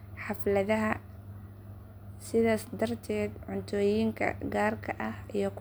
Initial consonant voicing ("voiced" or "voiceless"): voiceless